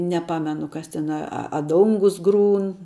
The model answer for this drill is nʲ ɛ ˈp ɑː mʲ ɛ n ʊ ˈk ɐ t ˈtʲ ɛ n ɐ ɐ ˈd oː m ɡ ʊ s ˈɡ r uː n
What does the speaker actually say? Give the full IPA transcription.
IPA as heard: nʲ ɛ ˈp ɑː mʲ ɛ n ʊ ˈk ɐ s ˈtʲ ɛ n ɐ ɐ ˈd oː ŋ ɡ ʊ s ˈɡ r uː n